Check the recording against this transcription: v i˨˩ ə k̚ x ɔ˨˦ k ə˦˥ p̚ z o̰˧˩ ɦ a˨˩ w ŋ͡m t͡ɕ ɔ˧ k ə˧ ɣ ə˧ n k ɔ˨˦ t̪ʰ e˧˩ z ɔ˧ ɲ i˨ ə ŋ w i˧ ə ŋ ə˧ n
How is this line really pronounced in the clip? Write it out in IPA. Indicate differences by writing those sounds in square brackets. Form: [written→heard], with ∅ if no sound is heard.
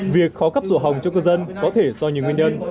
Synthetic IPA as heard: v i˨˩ ə k̚ x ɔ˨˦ k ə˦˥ p̚ z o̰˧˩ ɦ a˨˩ w ŋ͡m t͡ɕ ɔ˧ k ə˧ [ɣ→z] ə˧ n k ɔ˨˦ t̪ʰ e˧˩ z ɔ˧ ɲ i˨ ə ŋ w i˧ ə [ŋ→ɲ] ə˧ n